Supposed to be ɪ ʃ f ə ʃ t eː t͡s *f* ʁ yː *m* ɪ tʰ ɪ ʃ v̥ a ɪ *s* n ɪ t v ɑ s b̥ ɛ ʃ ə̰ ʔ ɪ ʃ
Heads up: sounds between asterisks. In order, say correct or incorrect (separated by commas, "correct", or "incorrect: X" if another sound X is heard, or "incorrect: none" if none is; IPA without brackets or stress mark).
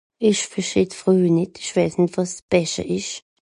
correct, incorrect: n, correct